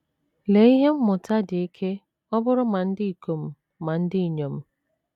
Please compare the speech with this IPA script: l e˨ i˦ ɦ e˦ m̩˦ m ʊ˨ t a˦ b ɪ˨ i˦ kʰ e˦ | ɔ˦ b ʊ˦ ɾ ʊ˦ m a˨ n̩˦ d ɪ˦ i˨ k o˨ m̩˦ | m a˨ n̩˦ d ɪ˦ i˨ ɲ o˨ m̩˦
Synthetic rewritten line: l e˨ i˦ ɦ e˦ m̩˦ m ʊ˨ t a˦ d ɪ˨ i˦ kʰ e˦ | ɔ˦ b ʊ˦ ɾ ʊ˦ m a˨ n̩˦ d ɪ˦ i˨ k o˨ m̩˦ | m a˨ n̩˦ d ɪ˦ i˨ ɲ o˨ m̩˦